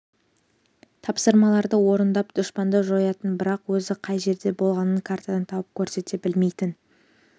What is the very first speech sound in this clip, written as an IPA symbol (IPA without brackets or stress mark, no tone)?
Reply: t̪ʰ